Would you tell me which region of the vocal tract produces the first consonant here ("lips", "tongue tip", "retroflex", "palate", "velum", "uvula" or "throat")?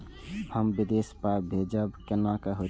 throat